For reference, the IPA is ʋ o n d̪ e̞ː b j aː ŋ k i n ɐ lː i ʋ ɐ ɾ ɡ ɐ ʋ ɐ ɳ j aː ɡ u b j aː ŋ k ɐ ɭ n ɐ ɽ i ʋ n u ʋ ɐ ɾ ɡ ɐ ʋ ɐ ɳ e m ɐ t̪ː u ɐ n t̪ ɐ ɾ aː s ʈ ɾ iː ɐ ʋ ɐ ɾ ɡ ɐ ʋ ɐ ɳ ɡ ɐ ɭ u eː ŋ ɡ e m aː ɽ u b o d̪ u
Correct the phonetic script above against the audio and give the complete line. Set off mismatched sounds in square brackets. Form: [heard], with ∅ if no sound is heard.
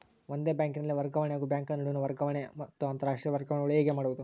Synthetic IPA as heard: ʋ o n d̪ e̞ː b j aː ŋ k i n ɐ lː i ʋ ɐ ɾ ɡ ɐ ʋ ɐ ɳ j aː ɡ u b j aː ŋ k ɐ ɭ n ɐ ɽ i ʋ n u ʋ ɐ ɾ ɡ ɐ ʋ ɐ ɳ e m ɐ t̪ː u ɐ n t̪ ɐ ɾ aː [ʂ] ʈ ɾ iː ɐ ʋ ɐ ɾ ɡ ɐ ʋ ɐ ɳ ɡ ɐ ɭ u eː [∅] ɡ e m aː ɽ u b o d̪ u